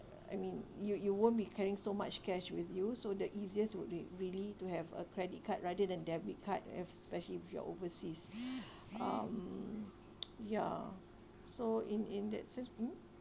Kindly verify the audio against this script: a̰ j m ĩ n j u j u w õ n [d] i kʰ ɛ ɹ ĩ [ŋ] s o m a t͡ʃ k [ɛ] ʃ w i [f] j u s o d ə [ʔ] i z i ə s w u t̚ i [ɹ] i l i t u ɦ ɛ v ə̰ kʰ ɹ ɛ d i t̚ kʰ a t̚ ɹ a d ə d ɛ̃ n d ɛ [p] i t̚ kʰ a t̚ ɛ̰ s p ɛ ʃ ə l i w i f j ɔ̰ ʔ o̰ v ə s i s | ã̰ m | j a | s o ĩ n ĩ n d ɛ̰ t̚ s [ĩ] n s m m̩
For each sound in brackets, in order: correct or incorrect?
incorrect, correct, correct, incorrect, correct, correct, incorrect, incorrect

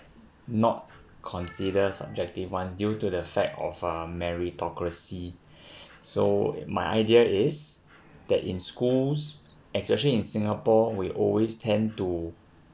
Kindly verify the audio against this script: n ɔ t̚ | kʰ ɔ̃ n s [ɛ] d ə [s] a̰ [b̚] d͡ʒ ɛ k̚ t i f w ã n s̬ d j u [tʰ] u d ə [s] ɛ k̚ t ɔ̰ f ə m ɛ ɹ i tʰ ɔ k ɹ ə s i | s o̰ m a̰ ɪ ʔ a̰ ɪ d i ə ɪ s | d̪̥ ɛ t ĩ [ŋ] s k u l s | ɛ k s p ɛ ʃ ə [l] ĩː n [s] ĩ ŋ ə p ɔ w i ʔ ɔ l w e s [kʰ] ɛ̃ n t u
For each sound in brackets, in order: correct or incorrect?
incorrect, correct, correct, incorrect, incorrect, incorrect, correct, correct, incorrect

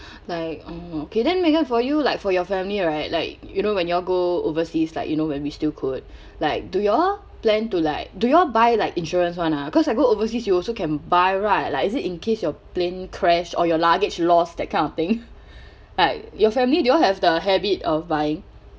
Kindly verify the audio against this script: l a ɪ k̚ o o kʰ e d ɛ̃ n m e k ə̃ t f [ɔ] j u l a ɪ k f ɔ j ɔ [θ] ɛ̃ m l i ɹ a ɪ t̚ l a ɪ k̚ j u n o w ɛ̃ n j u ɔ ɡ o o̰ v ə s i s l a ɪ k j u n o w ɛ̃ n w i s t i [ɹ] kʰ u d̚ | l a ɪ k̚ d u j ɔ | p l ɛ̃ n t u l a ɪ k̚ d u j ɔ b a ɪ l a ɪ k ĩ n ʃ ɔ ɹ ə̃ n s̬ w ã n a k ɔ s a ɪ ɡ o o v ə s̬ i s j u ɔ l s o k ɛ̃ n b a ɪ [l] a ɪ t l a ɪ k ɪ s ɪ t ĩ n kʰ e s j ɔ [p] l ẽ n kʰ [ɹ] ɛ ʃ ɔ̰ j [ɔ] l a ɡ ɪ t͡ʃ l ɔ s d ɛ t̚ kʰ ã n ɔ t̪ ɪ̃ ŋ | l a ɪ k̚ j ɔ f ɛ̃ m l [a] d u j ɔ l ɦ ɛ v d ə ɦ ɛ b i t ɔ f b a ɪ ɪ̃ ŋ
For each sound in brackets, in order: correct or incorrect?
correct, incorrect, incorrect, incorrect, correct, correct, correct, incorrect

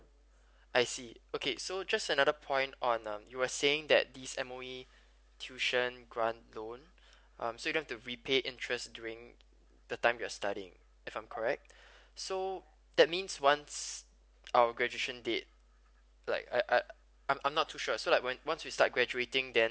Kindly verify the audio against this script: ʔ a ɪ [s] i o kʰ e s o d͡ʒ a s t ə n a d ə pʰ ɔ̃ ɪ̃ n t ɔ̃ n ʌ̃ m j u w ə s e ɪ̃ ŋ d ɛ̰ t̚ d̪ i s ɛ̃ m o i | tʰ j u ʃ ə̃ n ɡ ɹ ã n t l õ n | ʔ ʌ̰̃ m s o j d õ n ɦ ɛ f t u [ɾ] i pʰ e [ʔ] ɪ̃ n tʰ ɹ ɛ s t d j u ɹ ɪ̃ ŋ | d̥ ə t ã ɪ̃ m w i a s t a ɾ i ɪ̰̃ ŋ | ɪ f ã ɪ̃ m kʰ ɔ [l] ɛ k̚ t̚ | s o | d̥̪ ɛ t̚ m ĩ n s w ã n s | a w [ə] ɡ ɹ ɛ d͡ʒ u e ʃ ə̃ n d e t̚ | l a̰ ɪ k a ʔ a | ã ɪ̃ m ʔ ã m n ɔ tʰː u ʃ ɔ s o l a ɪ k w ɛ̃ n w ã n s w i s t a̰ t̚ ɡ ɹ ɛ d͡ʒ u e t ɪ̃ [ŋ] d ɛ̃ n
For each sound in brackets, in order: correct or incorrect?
correct, incorrect, correct, incorrect, correct, correct

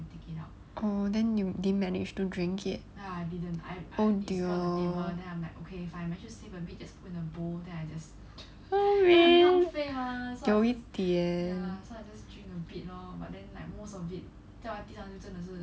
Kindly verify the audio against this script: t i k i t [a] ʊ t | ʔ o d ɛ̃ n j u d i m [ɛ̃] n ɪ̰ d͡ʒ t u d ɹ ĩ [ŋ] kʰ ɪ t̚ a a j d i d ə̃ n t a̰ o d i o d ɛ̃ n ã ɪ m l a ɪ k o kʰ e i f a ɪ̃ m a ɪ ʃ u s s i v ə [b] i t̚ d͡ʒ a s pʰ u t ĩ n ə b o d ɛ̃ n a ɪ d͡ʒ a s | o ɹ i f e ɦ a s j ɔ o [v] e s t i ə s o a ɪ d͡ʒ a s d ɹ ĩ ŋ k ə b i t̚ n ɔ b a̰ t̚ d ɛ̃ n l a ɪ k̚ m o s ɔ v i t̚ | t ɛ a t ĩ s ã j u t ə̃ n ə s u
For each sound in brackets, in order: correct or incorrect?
correct, incorrect, correct, correct, incorrect

